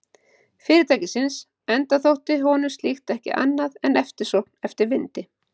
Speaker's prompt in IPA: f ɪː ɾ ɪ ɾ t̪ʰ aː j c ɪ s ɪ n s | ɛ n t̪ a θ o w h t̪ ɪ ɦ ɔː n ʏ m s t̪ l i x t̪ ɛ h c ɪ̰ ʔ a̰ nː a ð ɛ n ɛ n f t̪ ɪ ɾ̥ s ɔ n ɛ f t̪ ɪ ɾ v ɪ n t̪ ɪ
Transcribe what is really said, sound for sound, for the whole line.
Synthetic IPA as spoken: f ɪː ɾ ɪ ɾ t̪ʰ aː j c ɪ s ɪ n s | ɛ n t̪ a θ o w h t̪ ɪ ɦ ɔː n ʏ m s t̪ l i x t̪ ɛ h c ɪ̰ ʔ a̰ nː a ð ɛ n ɛ f t̪ ɪ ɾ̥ s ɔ n ɛ f t̪ ɪ ɾ v ɪ n t̪ ɪ

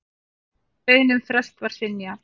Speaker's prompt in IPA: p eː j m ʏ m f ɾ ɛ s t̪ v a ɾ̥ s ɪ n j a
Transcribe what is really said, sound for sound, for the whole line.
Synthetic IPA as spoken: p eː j n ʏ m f ɾ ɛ s t̪ v a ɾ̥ s ɪ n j a

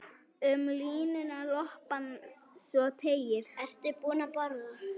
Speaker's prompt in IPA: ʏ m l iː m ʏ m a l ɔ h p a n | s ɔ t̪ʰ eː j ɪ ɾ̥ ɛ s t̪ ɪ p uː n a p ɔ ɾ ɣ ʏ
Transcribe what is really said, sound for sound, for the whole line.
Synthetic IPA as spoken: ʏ m l iː n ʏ n a l ɔ h p a n | s ɔ t̪ʰ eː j ɪ ɾ̥ ɛ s t̪ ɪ p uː n a p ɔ ɾ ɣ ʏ

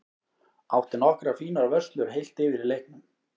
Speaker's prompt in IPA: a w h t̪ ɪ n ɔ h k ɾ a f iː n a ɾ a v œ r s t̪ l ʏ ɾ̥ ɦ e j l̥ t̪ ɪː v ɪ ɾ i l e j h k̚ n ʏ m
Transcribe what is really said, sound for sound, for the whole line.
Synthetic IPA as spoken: a w h t̪ ɪ n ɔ h k ɾ a f iː n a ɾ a v œ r s t̪ l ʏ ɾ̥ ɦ e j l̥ t̪ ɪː v ɪ ɾ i l e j h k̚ n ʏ m

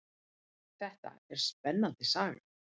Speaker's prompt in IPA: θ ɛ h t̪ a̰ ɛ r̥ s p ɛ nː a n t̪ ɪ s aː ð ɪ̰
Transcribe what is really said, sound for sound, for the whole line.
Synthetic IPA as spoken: θ ɛ h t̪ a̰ ɛ ɾ̥ s p ɛ nː a n t̪ ɪ s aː ɣ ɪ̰

